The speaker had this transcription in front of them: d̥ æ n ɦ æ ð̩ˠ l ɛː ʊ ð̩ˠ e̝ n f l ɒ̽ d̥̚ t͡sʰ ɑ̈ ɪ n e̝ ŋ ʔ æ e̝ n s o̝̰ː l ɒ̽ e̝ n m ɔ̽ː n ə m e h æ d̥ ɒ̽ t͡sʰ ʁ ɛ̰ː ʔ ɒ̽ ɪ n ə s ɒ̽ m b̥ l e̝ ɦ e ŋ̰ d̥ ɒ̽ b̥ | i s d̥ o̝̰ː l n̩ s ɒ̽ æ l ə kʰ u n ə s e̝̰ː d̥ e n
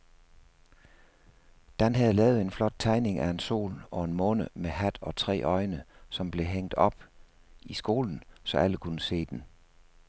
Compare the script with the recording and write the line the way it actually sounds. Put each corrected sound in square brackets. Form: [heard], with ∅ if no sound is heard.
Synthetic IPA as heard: d̥ æ n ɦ æ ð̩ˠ l ɛː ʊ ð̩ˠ e̝ n f l ɒ̽ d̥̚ t͡sʰ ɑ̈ ɪ n e̝ ŋ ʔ æ e̝ n s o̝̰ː l ɒ̽ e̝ n m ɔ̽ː n ə m e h æ d̥ ɒ̽ t͡sʰ ʁ ɛ̰ː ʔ ɒ̽ ɪ n ə s ɒ̽ m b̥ l e̝ ɦ e ŋ̰ d̥ ɒ̽ b̥ | i s [ɡ̥] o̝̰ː l n̩ s ɒ̽ æ l ə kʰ u n ə s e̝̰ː d̥ e n